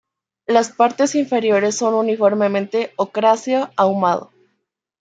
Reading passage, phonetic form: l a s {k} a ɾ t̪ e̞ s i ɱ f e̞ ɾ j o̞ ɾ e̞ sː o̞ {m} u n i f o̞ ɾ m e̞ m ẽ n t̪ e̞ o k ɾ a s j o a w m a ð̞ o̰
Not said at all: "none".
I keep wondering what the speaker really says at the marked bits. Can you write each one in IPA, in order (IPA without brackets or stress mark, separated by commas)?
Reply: p, n